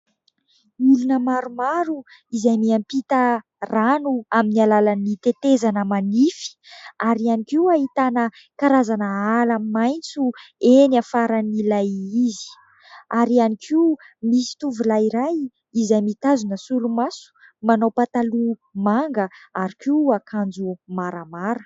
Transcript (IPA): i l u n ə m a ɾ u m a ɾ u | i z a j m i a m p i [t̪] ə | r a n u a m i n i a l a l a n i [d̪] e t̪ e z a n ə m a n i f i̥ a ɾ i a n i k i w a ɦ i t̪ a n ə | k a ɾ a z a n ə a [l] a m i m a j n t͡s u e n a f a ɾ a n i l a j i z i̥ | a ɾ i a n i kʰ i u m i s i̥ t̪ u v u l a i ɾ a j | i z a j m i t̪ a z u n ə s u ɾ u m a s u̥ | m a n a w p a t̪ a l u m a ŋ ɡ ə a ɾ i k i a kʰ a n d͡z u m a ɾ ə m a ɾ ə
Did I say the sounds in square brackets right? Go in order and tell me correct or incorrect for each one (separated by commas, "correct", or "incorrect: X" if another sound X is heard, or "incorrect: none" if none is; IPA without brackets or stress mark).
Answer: correct, incorrect: t̪, correct